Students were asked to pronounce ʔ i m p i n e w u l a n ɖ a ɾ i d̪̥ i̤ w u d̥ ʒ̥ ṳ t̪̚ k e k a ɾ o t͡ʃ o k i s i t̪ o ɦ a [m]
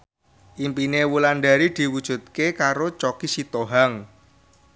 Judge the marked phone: incorrect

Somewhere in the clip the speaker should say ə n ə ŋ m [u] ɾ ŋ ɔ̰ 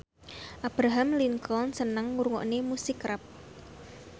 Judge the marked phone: correct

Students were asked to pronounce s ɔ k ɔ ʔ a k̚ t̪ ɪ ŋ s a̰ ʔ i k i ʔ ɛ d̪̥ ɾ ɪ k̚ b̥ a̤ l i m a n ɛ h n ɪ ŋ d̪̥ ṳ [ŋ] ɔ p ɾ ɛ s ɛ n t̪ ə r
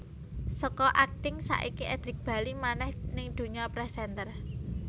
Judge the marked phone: incorrect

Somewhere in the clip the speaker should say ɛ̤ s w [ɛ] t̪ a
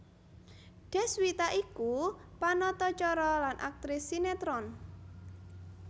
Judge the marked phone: incorrect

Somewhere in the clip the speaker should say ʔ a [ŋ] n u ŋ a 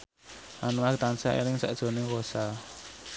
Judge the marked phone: incorrect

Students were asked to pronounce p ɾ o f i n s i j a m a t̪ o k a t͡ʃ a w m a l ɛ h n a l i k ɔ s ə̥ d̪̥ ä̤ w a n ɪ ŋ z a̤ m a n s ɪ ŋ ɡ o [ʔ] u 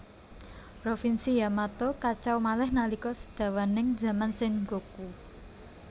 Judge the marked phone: incorrect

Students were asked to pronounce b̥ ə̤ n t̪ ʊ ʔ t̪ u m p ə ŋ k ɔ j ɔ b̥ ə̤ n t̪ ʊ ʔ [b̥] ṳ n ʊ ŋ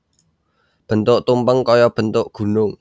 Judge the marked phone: incorrect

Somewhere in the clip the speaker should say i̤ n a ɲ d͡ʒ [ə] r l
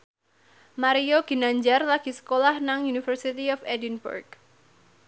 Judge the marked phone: incorrect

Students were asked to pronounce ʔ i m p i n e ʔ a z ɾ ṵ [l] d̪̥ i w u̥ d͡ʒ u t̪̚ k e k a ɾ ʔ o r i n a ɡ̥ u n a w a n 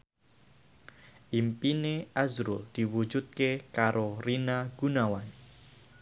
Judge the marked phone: correct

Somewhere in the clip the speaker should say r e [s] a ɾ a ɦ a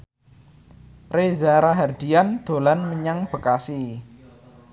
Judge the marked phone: incorrect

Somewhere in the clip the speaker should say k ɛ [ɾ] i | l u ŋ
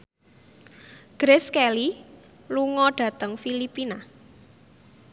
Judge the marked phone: incorrect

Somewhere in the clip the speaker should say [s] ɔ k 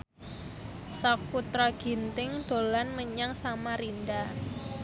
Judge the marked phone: correct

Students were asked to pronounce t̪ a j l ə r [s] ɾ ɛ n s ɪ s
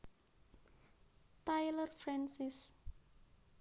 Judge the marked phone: incorrect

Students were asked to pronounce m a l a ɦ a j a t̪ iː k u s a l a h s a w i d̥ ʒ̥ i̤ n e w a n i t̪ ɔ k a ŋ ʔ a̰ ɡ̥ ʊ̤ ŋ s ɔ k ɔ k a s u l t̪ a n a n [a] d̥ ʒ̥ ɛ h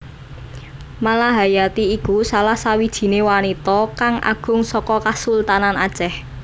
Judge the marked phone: correct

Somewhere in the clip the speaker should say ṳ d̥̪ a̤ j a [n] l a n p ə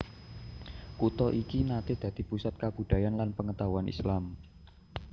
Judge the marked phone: correct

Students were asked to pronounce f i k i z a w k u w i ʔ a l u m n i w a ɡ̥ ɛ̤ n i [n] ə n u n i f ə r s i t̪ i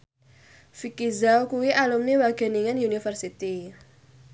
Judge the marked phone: incorrect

